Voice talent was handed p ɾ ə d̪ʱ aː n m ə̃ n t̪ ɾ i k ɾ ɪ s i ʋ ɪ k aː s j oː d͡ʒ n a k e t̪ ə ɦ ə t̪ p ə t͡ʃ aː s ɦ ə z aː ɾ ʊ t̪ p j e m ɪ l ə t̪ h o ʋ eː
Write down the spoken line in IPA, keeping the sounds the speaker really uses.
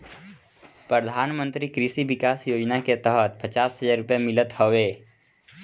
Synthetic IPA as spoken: p ɾ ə d̪ʱ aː n m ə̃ n t̪ ɾ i k ɾ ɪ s i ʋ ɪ k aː s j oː d͡ʒ n a k e t̪ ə ɦ ə t̪ p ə t͡ʃ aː s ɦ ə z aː ɾ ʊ p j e m ɪ l ə t̪ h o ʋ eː